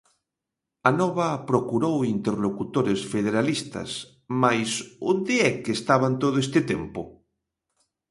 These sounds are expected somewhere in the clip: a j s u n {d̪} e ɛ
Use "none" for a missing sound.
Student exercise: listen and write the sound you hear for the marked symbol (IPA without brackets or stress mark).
d̪